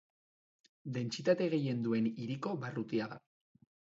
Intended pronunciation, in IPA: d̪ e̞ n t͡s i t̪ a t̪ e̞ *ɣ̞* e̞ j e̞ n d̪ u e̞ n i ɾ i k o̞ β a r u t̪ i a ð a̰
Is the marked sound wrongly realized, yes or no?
no